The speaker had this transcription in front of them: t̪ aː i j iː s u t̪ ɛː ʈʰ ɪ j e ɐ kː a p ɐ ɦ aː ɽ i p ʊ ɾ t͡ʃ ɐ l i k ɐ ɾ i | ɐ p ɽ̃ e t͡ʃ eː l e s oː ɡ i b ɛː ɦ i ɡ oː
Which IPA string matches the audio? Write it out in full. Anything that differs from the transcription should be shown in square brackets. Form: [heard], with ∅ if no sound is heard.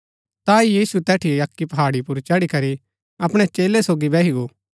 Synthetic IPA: t̪ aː i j iː s u t̪ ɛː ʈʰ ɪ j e ɐ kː [i] p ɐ ɦ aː ɽ i p ʊ ɾ t͡ʃ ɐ [ɽ] i k ɐ ɾ i | ɐ p ɽ̃ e t͡ʃ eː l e s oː ɡ i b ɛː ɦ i ɡ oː